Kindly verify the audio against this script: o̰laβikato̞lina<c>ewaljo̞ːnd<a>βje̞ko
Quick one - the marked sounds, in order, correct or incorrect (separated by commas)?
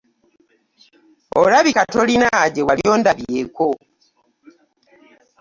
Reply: incorrect, correct